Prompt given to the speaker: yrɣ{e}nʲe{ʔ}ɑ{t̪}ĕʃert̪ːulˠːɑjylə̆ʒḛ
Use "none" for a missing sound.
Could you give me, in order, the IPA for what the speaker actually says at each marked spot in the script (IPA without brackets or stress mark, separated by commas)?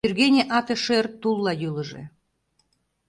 e, ʔ, t̪